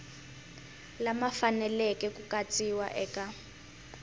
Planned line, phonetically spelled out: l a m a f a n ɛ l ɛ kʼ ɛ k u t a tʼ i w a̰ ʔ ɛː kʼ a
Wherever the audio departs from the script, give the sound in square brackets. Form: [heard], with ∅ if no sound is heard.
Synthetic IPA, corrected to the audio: l a m a f a n ɛ l ɛ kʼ ɛ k u [k] a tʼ i w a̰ ʔ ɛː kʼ a